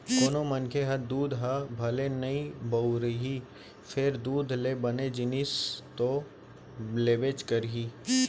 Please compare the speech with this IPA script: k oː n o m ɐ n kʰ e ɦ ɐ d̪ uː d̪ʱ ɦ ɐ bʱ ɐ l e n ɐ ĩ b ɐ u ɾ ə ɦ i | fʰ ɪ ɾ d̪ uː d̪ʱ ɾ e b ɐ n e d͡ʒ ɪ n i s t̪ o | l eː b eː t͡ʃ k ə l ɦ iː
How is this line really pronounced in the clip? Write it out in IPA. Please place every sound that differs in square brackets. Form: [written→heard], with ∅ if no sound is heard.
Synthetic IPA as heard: k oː n o m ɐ n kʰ e ɦ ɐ d̪ uː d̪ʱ ɦ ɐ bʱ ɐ l e n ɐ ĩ b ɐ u ɾ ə ɦ i | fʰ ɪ ɾ d̪ uː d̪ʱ [ɾ→l] e b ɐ n e d͡ʒ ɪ n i s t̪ o | l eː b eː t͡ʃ k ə [l→ɾ] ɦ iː